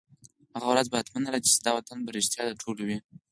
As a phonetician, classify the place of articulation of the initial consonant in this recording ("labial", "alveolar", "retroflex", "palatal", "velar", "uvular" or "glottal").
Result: glottal